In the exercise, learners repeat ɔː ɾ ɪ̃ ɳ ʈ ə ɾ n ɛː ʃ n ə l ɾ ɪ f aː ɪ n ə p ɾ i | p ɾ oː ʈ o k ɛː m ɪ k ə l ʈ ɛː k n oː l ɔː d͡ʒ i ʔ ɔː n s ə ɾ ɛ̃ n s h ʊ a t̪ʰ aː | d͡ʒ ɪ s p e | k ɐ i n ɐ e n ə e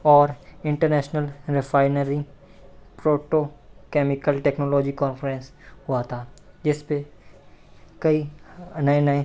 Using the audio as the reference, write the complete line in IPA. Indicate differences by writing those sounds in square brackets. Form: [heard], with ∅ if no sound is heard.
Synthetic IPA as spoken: ɔː ɾ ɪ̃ ɳ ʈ ə ɾ n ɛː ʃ n ə l ɾ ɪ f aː ɪ n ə [∅] ɾ i | p ɾ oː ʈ o k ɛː m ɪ k ə l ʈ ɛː k n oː l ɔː d͡ʒ i [k] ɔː n [f] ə ɾ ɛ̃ n s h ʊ a t̪ʰ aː | d͡ʒ ɪ s p e | k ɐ i n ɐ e n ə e